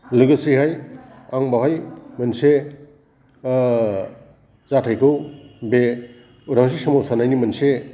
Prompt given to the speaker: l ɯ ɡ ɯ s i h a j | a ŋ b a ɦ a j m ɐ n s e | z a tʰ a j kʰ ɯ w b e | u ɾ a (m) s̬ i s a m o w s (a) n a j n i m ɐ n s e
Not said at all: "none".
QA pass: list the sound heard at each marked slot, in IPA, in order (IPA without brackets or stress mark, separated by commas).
ŋ, a